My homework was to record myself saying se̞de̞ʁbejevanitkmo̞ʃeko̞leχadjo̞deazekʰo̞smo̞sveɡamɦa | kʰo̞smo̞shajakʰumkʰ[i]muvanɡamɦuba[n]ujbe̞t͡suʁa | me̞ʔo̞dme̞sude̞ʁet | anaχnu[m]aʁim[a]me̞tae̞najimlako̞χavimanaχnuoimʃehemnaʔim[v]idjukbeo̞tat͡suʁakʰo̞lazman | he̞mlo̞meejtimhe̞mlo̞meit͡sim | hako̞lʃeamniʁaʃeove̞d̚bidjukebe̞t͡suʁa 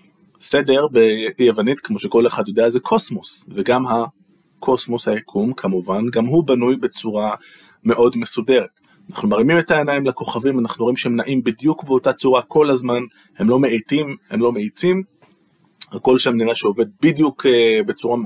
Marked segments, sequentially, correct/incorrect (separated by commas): incorrect, correct, correct, incorrect, incorrect